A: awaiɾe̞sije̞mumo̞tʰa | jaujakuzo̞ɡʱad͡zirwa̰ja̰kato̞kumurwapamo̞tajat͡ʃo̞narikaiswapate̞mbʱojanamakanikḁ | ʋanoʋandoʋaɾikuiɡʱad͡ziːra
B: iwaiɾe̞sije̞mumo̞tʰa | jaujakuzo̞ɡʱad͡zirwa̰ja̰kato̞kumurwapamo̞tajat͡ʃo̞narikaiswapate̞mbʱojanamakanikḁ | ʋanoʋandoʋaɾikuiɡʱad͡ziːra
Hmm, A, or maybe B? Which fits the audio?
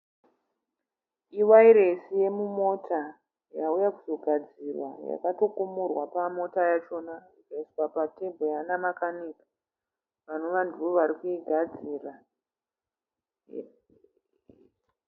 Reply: B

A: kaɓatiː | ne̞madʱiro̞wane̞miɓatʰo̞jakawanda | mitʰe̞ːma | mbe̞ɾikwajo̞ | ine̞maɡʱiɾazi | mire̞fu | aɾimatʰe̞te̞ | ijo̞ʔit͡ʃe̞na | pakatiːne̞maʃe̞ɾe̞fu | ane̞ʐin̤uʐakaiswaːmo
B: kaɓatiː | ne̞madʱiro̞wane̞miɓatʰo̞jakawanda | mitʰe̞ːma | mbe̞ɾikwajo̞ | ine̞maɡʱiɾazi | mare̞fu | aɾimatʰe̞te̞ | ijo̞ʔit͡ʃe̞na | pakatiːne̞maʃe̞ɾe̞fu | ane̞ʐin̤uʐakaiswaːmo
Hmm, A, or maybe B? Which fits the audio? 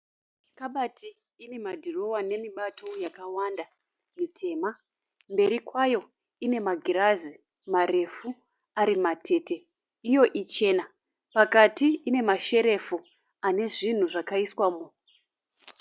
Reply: B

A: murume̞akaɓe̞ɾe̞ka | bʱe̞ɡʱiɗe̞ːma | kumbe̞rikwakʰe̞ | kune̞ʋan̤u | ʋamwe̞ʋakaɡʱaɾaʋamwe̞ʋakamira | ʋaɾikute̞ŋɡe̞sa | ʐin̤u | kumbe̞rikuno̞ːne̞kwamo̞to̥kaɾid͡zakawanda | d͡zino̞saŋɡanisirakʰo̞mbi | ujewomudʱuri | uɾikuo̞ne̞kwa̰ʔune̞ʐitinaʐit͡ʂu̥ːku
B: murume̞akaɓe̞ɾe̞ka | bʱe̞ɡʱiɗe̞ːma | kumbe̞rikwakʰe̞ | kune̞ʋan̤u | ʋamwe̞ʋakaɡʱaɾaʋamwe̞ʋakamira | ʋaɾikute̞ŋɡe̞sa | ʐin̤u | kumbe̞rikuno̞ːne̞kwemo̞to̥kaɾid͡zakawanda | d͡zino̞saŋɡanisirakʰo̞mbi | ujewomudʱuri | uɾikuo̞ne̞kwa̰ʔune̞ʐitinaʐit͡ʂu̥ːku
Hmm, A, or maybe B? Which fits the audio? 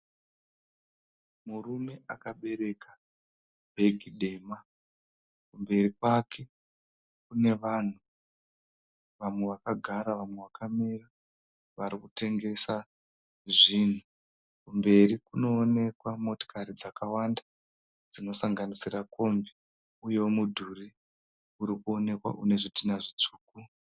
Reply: A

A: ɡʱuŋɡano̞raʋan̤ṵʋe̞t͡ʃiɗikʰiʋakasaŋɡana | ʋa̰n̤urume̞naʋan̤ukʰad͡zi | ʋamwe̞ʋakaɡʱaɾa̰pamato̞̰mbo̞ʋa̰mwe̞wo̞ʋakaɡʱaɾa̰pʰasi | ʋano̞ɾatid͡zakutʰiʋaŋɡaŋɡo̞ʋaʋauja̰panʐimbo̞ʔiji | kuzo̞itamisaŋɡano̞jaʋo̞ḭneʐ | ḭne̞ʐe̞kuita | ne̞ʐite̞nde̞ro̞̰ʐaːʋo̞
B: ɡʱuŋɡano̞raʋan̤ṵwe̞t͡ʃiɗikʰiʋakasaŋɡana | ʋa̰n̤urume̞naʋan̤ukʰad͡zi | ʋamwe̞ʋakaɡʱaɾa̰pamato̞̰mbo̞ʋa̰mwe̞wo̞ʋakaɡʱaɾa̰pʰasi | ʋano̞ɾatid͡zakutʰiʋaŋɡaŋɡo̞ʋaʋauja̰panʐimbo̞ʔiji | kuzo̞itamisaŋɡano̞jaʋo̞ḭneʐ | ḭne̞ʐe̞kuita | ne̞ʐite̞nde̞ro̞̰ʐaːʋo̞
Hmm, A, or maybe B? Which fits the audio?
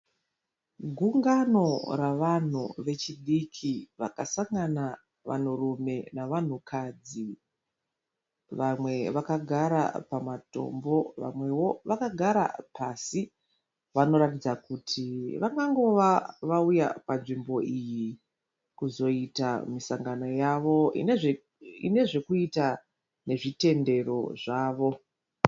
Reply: A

